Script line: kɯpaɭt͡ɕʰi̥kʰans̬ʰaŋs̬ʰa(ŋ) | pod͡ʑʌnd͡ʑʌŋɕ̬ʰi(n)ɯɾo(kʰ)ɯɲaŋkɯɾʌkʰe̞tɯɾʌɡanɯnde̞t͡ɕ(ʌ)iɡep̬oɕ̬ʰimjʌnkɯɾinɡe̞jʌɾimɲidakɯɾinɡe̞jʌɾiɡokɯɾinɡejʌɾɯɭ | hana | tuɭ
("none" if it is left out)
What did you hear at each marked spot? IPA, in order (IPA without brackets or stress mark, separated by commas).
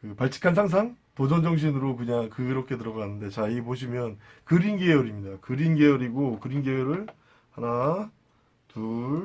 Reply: ŋ, n, k, a